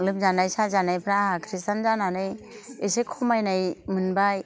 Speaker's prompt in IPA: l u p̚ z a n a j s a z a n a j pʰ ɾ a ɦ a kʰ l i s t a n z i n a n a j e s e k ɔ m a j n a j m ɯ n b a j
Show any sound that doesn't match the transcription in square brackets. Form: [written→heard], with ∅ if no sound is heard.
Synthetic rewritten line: l [u→ɯ] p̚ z a n a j s a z a n a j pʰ ɾ a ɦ a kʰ [l→ɾ] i s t a n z [i→a] n a n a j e s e [k→kʰ] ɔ m a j n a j m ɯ n b a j